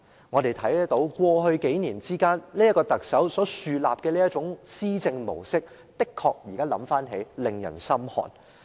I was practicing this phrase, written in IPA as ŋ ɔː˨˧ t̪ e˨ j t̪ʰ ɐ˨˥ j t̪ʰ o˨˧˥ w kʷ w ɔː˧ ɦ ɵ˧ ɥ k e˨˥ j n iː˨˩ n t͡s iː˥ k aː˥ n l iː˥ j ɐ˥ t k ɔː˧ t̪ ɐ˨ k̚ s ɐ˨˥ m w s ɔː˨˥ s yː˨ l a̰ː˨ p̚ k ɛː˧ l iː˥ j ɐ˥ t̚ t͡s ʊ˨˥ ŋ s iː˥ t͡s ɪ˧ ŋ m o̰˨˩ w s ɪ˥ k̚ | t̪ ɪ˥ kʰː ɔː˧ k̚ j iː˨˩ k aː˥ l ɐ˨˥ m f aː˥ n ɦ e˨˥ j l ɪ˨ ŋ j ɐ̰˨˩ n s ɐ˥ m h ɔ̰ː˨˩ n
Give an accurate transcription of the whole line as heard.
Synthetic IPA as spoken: ŋ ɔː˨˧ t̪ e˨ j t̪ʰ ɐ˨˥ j t̪ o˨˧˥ w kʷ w ɔː˧ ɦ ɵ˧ ɥ k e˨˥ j n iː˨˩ n t͡s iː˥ k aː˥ n l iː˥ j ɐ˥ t k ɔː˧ t̪ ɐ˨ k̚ s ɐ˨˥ w s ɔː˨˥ s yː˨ l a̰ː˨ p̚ k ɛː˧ l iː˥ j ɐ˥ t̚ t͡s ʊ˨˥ ŋ s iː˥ t͡s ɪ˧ ŋ m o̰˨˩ w s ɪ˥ k̚ | t̪ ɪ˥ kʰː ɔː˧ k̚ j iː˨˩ k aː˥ l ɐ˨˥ m f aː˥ n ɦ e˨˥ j l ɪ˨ ŋ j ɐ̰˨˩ n s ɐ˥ m h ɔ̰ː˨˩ n